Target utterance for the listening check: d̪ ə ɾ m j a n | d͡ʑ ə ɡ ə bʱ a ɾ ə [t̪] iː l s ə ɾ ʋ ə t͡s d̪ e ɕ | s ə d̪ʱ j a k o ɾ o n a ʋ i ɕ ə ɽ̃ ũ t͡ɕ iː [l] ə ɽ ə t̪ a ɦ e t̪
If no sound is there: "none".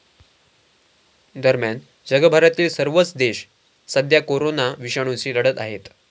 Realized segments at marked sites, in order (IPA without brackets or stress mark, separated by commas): t̪, l